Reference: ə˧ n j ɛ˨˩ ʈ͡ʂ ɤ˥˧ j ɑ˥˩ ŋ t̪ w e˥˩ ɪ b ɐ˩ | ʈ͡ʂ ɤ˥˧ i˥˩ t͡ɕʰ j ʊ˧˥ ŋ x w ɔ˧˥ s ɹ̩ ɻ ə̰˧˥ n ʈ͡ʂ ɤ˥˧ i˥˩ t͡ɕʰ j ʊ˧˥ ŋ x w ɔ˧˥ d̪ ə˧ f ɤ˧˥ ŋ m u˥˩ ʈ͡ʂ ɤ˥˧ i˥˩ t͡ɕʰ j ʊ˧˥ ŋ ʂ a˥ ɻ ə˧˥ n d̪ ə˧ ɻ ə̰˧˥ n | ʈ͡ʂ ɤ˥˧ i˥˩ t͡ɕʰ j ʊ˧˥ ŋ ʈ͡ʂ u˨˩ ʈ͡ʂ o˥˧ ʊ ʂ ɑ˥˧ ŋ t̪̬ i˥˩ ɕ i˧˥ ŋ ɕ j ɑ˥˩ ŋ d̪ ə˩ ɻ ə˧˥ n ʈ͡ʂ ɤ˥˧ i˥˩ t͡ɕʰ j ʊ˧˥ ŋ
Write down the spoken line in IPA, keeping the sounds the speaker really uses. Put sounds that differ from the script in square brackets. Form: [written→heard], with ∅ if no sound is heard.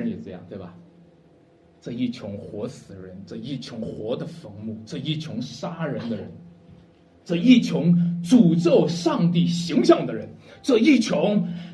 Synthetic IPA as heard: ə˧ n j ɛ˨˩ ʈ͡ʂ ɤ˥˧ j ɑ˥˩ ŋ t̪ w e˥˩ ɪ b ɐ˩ | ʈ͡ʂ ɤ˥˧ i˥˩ t͡ɕʰ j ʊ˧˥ ŋ x w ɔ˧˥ s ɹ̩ ɻ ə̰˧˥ n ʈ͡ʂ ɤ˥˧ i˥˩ t͡ɕʰ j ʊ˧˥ ŋ x w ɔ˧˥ d̪ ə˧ f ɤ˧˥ ŋ m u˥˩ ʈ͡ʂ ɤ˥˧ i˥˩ t͡ɕʰ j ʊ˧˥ ŋ ʂ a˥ ɻ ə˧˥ n d̪ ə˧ ɻ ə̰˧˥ n | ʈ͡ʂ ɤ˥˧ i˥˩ t͡ɕʰ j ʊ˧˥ ŋ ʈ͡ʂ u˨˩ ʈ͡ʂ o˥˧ ʊ ʂ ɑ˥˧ ŋ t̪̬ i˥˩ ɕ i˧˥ ŋ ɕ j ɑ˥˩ ŋ d̪ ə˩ ɻ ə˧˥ n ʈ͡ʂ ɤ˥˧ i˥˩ t͡ɕʰ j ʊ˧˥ ŋ